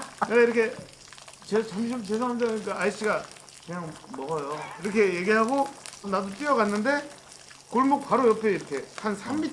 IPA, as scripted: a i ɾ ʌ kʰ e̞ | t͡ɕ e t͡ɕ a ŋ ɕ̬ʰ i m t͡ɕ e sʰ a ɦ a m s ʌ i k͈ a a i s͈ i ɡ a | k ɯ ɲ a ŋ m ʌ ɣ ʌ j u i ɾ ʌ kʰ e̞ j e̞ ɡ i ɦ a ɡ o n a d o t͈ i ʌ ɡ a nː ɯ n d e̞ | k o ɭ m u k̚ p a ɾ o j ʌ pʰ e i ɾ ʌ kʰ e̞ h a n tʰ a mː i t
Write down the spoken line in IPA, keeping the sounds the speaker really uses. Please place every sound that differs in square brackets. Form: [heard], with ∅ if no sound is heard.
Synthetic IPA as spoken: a i ɾ ʌ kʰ e̞ | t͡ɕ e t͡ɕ a [m] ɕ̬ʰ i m t͡ɕ e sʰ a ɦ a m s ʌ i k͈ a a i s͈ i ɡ a | k ɯ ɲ a ŋ m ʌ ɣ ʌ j [o] i ɾ ʌ kʰ e̞ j e̞ ɡ i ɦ a ɡ o n a d o t͈ i ʌ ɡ a nː ɯ n d e̞ | k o ɭ m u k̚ p a ɾ o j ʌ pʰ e i ɾ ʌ kʰ e̞ h a n [sʰ] a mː i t